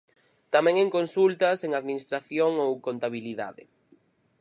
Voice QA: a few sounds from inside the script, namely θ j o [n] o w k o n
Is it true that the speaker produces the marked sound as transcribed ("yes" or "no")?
no